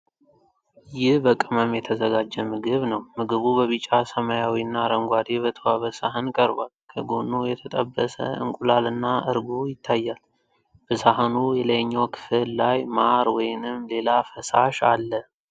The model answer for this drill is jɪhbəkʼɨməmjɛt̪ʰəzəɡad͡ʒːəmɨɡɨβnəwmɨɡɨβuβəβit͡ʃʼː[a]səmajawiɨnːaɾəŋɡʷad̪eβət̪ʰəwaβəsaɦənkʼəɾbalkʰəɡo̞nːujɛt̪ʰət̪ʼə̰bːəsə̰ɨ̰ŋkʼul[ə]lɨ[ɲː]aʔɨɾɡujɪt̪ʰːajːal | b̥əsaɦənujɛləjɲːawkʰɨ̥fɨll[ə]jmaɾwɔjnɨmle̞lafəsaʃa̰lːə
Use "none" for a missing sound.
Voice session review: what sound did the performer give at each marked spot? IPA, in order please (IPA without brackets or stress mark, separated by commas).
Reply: a, a, nː, a